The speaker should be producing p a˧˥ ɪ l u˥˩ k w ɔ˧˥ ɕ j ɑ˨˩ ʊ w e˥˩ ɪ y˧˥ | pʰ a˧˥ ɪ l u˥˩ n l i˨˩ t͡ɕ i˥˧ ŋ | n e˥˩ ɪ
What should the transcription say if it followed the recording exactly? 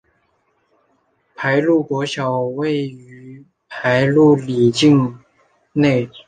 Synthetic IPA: pʰ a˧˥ ɪ l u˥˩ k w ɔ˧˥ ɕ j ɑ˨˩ ʊ w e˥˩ ɪ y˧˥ | pʰ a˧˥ ɪ l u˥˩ l i˨˩ t͡ɕ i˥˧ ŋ | n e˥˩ ɪ

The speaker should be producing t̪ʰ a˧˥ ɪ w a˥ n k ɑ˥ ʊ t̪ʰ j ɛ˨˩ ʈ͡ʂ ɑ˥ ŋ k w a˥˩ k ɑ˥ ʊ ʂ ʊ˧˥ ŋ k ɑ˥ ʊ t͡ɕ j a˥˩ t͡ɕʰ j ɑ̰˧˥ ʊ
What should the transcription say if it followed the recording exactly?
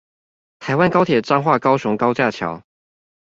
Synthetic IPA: t̪ʰ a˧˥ ɪ w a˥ n k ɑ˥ ʊ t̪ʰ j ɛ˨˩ ʈ͡ʂ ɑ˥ ŋ x w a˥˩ k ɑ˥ ʊ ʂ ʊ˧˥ ŋ k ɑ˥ ʊ t͡ɕ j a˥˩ t͡ɕʰ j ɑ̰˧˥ ʊ

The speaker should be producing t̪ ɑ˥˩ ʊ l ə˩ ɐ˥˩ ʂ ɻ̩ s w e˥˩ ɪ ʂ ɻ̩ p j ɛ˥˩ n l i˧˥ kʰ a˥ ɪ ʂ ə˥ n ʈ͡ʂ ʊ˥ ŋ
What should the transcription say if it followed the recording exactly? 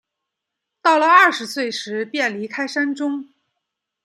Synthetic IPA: t̪ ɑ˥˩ ʊ l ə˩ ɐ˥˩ ʂ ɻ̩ s w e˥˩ ɪ ʂ ɻ̩ p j ɛ˥˩ n l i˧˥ kʰ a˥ ɪ ʂ a˥ n ʈ͡ʂ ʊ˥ ŋ

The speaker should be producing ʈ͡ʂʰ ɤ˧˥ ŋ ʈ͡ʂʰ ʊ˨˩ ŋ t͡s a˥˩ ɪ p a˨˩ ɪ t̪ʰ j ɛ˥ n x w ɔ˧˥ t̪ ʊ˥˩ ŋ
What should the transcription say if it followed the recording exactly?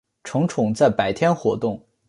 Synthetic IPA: ʈ͡ʂʰ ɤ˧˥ ŋ ʈ͡ʂʰ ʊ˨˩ ŋ t͡s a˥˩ ɪ p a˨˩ ɪ t̪ʰ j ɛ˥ n x w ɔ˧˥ t̪ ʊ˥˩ ŋ

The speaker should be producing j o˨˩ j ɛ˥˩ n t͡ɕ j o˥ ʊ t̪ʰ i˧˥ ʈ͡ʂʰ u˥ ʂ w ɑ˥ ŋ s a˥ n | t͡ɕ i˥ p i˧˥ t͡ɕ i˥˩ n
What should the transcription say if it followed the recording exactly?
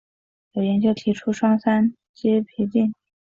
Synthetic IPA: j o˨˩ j ɛ˧˥ n t͡ɕ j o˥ ʊ t̪ʰ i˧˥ ʈ͡ʂʰ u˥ ʂ w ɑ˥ ŋ s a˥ n | t͡ɕ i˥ pʰ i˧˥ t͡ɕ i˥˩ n

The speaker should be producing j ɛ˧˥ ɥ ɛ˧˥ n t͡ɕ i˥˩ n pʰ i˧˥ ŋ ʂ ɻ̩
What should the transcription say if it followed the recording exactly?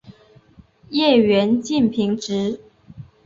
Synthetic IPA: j ɛ˥˩ ɥ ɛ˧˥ n t͡ɕ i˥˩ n pʰ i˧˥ ŋ ʈ͡ʂ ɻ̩

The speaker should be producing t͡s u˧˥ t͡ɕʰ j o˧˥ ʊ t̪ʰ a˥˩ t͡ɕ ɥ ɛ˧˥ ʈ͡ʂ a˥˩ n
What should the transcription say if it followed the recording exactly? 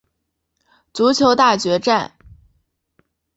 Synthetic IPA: t͡s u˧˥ t͡ɕʰ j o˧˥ ʊ t̪ a˥˩ t͡ɕ ɥ ɛ˧˥ ʈ͡ʂ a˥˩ n

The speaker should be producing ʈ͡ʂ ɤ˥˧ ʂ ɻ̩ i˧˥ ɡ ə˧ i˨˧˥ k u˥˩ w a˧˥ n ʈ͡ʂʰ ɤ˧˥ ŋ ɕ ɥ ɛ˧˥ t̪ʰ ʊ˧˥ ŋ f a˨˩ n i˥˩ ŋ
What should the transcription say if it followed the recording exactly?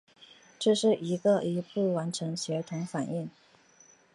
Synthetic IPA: ʈ͡ʂ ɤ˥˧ ʂ ɻ̩ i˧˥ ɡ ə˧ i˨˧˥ p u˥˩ w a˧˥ n ʈ͡ʂʰ ɤ˧˥ ŋ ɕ ɥ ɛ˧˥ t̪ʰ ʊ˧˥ ŋ f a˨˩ n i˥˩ ŋ

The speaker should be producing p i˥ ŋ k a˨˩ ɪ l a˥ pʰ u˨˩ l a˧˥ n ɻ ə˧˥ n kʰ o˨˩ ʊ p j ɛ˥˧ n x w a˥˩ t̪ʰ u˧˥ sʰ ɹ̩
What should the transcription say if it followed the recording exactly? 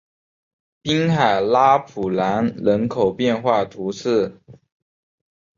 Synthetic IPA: p i˥ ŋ x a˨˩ ɪ l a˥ pʰ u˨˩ l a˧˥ n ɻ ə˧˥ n kʰ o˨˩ ʊ p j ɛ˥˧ n x w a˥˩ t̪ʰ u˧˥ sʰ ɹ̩

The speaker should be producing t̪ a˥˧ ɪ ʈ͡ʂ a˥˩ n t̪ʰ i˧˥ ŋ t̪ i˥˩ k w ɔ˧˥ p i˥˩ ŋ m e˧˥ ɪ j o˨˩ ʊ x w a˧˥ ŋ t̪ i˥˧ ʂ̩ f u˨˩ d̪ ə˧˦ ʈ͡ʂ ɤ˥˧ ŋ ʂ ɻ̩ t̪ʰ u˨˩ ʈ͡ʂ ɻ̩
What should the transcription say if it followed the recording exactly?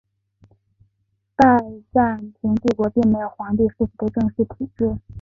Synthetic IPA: t̪ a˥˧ ɪ ʈ͡ʂ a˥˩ n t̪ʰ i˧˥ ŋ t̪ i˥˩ k w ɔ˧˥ p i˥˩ ŋ m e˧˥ ɪ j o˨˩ ʊ x w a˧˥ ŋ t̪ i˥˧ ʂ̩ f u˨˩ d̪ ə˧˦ ʈ͡ʂ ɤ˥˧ ŋ ʂ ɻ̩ t̪ʰ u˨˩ ʈ͡ʂ ɻ̩

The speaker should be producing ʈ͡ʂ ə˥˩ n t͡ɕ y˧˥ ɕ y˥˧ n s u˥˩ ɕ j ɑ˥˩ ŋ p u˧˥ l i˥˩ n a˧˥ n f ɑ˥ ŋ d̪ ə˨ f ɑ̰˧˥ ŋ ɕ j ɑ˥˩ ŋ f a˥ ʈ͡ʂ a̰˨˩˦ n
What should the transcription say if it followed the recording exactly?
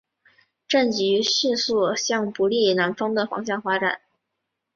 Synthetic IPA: ʈ͡ʂ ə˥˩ n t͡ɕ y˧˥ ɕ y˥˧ n s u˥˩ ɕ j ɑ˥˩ ŋ p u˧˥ l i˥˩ n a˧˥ n f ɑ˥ ŋ d̪ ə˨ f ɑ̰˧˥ ŋ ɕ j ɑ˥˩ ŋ f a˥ ʈ͡ʂ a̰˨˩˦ n

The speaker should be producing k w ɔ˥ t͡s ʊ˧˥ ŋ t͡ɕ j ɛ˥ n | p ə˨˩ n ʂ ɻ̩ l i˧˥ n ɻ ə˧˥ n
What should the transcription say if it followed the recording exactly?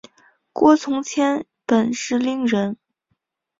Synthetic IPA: k w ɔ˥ t͡sʰ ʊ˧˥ ŋ t͡ɕʰ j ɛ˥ n | p ə˨˩ n ʂ ɻ̩ l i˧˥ ŋ ɻ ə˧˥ n

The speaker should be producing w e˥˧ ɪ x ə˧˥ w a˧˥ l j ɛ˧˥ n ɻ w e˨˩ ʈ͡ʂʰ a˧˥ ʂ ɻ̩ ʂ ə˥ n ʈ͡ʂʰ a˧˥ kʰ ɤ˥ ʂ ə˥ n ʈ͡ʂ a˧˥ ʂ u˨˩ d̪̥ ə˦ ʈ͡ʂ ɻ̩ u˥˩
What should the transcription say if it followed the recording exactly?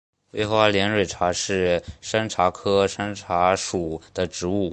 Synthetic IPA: w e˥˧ ɪ x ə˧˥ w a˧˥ l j ɛ˧˥ n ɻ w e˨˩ ʈ͡ʂʰ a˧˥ ʂ ɻ̩ ʂ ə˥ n ʈ͡ʂʰ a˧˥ kʰ ɤ˥ ʂ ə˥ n ʈ͡ʂʰ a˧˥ ʂ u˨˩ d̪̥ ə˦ ʈ͡ʂ ɻ̩ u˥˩

